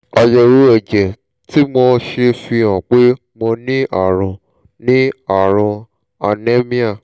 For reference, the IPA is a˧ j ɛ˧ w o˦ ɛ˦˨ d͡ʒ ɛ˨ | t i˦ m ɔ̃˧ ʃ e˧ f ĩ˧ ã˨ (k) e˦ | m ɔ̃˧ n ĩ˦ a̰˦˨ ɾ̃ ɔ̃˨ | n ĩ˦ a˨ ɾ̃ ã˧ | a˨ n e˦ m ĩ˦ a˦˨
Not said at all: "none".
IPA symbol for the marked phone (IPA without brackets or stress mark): k͡p